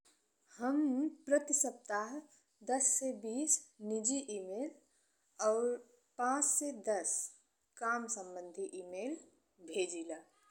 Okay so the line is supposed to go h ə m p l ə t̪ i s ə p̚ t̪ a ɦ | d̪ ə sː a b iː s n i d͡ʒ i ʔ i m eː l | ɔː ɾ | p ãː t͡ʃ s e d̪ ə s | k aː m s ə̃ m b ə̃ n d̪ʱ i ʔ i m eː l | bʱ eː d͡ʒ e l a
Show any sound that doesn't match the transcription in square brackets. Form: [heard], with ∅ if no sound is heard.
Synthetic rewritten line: h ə m p [ɾ] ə t̪ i s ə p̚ t̪ a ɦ | d̪ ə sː [e] b iː s n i d͡ʒ i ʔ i m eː l | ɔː ɾ | p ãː t͡ʃ s e d̪ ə s | k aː m s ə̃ m b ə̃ n d̪ʱ i ʔ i m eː l | bʱ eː d͡ʒ [i] l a